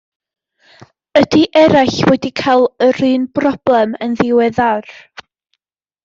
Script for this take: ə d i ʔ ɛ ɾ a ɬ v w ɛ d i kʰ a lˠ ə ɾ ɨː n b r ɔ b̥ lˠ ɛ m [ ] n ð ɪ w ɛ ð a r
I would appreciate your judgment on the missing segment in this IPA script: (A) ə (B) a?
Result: A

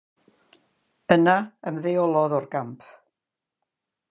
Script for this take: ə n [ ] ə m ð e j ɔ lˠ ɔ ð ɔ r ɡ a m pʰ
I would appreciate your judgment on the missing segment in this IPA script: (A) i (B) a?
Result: B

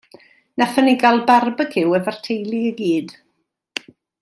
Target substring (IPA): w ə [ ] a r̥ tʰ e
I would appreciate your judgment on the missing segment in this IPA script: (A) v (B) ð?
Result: A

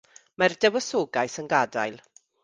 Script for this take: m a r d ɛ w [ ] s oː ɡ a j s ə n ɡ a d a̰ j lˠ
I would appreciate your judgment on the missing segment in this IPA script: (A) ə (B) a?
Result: A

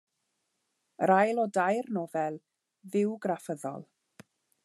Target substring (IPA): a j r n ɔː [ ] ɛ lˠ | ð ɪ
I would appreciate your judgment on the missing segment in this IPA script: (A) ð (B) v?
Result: B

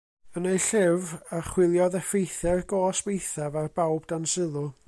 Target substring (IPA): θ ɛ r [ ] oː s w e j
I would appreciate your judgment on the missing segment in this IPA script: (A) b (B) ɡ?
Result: B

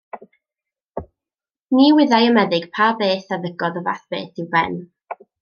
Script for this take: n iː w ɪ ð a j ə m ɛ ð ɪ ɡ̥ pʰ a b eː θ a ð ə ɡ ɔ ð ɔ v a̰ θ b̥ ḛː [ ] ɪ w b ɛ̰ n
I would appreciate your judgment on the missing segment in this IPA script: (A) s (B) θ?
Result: B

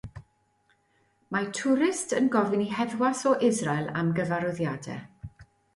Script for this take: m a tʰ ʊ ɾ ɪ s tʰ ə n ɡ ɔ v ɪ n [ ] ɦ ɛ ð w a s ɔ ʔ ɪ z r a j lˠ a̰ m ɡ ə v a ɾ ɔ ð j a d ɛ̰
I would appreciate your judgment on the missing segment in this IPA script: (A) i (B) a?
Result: A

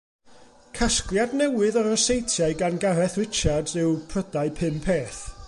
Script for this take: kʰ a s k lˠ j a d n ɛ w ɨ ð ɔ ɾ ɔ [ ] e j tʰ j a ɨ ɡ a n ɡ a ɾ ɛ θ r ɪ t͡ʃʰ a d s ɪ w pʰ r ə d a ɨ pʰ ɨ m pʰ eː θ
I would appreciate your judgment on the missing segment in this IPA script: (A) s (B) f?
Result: A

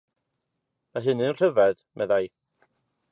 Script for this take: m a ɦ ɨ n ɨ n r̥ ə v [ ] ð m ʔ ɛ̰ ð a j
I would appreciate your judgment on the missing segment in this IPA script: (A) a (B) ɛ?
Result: B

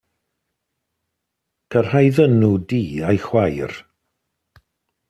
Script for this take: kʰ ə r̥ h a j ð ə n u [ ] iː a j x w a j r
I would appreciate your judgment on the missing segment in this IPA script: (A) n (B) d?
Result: B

